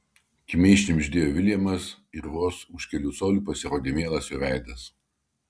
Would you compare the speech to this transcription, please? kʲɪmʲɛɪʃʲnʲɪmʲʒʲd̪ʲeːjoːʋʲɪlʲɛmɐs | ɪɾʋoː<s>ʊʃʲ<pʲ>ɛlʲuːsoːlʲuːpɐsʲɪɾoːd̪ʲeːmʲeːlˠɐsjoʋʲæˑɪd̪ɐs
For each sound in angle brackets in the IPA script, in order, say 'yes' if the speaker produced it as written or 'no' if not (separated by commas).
yes, no